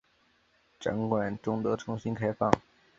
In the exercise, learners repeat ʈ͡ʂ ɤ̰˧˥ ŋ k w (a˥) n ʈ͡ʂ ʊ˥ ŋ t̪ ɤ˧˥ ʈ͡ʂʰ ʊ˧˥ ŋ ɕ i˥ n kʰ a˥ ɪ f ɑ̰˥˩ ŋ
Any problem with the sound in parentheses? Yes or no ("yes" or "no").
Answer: yes